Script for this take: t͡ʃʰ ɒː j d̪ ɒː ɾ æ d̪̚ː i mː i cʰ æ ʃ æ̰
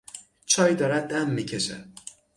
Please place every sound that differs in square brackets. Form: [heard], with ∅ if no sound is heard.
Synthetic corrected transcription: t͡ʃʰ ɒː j d̪ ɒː ɾ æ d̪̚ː [æ] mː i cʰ [e] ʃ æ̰